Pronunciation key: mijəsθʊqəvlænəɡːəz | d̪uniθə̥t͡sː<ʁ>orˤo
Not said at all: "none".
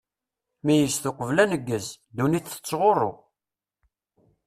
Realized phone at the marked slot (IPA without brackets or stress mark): ʁ